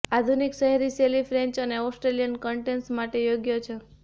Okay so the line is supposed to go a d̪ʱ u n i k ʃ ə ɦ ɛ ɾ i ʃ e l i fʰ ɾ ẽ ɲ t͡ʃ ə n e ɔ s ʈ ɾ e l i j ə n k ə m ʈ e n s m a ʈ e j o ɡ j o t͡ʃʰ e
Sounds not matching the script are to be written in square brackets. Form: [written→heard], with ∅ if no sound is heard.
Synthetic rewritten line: a d̪ʱ u n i k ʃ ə ɦ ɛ ɾ i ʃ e l i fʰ ɾ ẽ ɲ t͡ʃ ə n e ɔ s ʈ ɾ e l i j ə n k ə [m→ɳ] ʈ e n s m a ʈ e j o ɡ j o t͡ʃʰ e